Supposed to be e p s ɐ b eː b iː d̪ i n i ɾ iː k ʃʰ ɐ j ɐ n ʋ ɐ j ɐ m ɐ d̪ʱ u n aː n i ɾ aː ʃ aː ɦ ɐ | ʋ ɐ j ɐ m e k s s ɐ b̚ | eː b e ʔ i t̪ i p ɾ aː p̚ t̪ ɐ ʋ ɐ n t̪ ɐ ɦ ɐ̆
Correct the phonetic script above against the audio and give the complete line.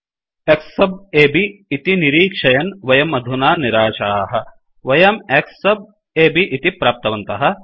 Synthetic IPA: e k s ɐ b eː b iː t̪ i n i ɾ iː k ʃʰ ɐ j ɐ n ʋ ɐ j ɐ m ɐ d̪ʱ u n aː n i ɾ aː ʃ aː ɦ ɐ | ʋ ɐ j ɐ m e k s s ɐ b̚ | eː b i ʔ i t̪ i p ɾ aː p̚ t̪ ɐ ʋ ɐ n t̪ ɐ ɦ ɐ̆

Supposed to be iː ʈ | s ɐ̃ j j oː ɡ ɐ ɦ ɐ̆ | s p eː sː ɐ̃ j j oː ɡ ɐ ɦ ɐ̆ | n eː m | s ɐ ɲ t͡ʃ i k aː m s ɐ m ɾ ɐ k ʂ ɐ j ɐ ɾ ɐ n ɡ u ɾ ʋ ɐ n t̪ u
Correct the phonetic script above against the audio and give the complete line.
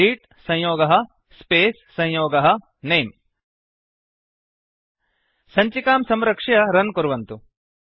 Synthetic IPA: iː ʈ | s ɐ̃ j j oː ɡ ɐ ɦ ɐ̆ | s p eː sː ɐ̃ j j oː ɡ ɐ ɦ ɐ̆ | n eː m | s ɐ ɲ t͡ʃ i k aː m s ɐ m ɾ ɐ k ʂ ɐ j ɐ ɾ ɐ n k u ɾ ʋ ɐ n t̪ u

